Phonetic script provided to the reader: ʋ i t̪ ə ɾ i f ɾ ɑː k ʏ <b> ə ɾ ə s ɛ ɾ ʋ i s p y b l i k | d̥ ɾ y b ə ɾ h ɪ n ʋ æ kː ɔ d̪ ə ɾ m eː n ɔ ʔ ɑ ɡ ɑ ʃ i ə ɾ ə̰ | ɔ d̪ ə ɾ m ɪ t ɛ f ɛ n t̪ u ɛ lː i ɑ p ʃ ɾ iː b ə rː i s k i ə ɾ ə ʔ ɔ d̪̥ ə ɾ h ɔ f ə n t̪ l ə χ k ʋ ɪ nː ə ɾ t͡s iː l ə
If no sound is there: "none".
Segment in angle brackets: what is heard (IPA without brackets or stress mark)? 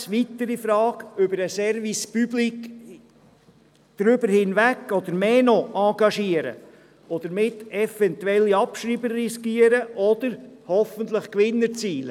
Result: b